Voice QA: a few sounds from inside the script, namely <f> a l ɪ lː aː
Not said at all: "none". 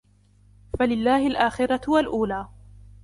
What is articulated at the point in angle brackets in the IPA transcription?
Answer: f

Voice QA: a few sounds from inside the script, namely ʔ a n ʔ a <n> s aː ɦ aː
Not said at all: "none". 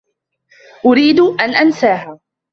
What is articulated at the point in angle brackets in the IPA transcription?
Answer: n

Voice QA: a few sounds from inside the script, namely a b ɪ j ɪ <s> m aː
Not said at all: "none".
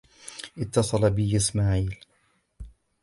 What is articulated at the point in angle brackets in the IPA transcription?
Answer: s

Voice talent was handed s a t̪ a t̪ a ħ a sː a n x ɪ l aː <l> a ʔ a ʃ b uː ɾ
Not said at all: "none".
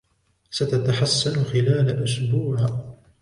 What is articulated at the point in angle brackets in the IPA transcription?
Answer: l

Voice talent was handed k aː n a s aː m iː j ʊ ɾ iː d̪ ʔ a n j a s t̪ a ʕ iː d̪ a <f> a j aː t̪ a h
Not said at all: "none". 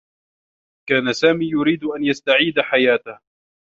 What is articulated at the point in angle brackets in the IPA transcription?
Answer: ħ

